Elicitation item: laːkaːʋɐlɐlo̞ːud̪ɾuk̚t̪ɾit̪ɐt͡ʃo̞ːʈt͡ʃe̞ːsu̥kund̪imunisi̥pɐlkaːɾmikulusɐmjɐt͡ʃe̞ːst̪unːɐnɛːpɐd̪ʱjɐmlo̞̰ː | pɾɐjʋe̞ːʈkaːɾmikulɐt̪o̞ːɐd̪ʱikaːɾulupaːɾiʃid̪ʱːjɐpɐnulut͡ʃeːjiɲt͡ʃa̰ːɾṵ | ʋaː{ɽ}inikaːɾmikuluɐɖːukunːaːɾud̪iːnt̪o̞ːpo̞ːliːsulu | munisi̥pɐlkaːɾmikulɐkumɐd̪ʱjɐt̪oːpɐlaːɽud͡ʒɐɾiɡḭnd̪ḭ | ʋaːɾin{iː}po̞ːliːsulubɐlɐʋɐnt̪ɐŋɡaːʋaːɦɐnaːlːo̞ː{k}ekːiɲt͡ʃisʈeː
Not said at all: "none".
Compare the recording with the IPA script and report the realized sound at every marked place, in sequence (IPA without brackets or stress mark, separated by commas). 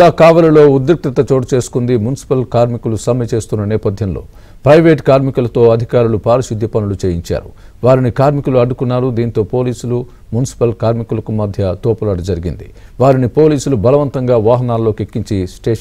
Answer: ɾ, i, k